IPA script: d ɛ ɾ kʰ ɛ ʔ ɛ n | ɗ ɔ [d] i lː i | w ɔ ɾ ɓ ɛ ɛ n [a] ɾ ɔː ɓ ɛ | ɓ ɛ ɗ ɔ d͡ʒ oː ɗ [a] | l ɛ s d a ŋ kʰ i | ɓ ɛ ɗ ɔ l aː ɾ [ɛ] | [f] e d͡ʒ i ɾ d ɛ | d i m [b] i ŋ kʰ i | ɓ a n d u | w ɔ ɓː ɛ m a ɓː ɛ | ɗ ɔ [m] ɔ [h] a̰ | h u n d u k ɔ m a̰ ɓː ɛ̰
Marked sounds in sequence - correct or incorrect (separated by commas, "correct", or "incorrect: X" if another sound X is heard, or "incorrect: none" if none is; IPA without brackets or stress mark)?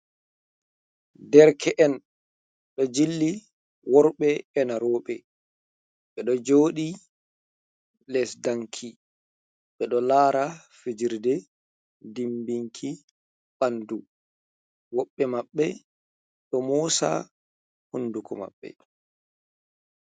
incorrect: d͡ʒ, correct, incorrect: i, incorrect: a, correct, correct, correct, incorrect: s